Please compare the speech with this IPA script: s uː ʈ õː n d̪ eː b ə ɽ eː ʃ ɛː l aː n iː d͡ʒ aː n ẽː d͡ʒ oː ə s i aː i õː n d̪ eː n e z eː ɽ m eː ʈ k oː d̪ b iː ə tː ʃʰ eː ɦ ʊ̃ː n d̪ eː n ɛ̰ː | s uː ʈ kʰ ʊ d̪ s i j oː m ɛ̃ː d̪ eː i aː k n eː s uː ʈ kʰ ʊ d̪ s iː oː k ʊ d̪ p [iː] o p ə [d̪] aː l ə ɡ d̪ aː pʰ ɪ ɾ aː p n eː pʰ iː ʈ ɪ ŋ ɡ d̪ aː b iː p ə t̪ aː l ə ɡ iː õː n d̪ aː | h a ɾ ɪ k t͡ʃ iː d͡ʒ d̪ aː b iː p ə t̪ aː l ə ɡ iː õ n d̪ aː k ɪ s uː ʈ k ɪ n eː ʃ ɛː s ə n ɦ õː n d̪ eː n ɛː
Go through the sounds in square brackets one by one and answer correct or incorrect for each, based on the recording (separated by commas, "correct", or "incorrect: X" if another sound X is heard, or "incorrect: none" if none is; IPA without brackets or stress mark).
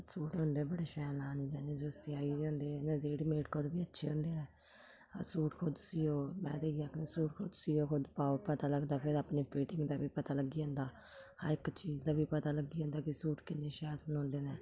incorrect: aː, incorrect: t̪